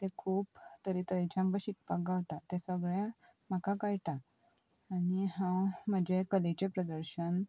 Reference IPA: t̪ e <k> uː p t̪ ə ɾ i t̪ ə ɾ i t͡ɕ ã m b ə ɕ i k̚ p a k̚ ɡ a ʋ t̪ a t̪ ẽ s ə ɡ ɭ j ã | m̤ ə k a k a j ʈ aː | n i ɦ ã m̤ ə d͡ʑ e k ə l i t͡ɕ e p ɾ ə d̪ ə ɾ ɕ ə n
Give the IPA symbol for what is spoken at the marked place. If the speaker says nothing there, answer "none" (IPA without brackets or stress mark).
kʰ